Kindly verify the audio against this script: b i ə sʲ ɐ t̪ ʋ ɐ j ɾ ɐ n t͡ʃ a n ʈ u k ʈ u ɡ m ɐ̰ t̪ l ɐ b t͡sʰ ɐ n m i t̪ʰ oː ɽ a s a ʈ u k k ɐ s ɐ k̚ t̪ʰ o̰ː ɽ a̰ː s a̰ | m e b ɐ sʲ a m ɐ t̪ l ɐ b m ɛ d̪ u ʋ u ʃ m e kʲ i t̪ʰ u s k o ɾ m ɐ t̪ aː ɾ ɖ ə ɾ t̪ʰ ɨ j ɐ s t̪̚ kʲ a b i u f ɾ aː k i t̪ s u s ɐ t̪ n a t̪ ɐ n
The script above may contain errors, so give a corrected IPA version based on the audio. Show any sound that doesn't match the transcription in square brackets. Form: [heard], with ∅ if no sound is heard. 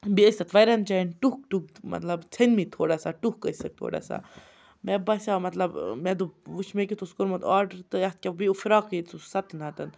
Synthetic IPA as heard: b i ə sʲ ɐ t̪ ʋ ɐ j ɾ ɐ n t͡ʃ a n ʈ u k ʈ u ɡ m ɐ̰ t̪ l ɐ b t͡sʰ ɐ n m i t̪ʰ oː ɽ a s a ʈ u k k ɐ s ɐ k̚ t̪ʰ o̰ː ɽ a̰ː s a̰ | m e b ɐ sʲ a m ɐ t̪ l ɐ b m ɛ d̪ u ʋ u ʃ m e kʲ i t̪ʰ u s k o ɾ m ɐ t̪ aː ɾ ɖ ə ɾ [t̪] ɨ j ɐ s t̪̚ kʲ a b i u f ɾ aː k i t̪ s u s ɐ t̪ n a t̪ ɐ n